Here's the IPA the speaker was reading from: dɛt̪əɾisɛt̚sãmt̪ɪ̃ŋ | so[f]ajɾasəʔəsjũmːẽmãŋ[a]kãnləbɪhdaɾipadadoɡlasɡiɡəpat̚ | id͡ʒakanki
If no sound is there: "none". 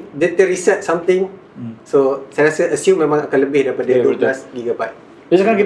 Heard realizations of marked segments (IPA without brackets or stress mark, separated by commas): s, a